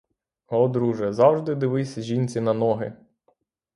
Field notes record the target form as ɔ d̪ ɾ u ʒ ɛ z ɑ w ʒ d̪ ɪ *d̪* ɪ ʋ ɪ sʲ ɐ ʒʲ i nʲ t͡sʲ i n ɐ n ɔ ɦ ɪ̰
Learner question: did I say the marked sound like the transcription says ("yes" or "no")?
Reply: yes